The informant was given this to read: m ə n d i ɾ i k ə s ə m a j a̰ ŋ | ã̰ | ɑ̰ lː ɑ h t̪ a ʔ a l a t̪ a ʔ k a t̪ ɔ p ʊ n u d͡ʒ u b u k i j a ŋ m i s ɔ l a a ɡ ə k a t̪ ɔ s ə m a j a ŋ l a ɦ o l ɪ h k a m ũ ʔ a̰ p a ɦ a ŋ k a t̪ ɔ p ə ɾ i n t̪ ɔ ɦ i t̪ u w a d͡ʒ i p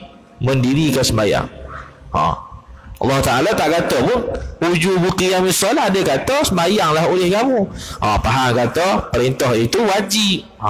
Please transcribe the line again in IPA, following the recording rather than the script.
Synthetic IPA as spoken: m ə n d i ɾ i k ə s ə m a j a̰ ŋ | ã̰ | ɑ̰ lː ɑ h t̪ a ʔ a l a t̪ a ʔ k a t̪ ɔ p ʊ n u d͡ʒ u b u k i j a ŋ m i s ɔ l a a d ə k a t̪ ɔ s ə m a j a ŋ l a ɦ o l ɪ h k a m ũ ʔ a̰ p a ɦ a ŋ k a t̪ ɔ p ə ɾ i n t̪ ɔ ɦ i t̪ u w a d͡ʒ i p